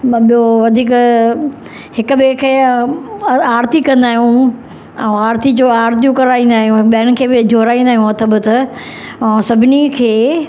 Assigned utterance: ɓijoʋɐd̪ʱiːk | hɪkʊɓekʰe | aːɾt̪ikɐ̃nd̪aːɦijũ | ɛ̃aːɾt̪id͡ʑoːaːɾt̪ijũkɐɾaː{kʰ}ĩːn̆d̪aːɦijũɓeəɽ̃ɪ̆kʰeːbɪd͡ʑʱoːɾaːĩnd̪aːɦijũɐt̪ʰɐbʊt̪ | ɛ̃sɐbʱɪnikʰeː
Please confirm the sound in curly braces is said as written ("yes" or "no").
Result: no